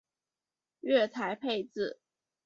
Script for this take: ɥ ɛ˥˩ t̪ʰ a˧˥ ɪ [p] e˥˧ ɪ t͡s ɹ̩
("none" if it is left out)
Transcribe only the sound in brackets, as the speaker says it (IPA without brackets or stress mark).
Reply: pʰ